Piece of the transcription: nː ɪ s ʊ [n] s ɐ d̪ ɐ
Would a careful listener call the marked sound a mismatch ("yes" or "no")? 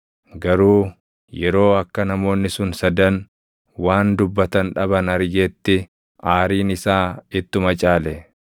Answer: no